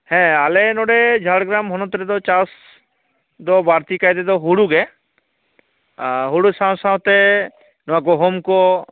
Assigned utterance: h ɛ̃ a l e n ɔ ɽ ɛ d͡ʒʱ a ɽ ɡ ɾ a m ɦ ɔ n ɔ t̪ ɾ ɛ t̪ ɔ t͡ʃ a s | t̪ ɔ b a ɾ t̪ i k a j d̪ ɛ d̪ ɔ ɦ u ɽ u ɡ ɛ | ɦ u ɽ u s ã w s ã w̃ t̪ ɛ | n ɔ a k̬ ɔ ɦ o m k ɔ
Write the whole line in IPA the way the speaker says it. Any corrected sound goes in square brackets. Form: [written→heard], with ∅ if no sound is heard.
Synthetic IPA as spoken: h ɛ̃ a l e n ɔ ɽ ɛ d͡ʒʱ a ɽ ɡ ɾ a m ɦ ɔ n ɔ t̪ ɾ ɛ [t̪→d̪] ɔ t͡ʃ a s | [t̪→d̪] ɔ b a ɾ t̪ i k a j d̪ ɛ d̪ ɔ ɦ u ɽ u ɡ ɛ | ɦ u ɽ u s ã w s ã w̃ t̪ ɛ | n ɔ a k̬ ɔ ɦ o m k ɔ